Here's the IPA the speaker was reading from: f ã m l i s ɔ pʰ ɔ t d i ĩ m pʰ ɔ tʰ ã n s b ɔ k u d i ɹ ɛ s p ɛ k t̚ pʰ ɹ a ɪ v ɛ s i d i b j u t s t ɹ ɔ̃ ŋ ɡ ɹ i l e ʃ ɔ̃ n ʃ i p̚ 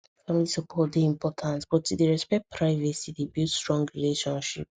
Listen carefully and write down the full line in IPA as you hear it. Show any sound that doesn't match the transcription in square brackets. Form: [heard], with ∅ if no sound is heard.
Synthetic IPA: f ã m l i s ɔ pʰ ɔ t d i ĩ m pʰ ɔ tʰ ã n s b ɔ [t] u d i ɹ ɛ s p ɛ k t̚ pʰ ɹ a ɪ v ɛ s i d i b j u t s t ɹ ɔ̃ ŋ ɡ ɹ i l e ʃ ɔ̃ n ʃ i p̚